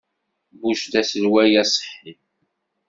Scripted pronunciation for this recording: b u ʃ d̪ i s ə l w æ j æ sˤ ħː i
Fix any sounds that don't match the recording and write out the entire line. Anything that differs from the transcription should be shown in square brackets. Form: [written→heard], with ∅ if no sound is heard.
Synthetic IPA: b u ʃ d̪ [i→æ] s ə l w æ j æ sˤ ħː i